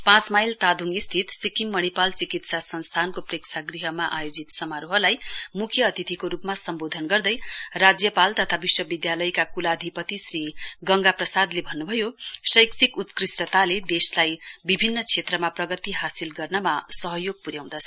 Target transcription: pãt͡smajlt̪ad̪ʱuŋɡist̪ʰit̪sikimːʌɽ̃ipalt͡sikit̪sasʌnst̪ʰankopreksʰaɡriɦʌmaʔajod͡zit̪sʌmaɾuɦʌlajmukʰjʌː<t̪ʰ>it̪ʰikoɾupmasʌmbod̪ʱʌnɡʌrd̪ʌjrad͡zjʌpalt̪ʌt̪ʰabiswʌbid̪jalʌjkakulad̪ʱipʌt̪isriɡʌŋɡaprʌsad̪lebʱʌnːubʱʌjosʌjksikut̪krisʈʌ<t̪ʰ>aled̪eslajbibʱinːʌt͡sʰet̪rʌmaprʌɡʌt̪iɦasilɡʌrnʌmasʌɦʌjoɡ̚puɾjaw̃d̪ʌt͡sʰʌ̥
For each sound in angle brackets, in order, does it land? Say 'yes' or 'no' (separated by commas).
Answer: no, no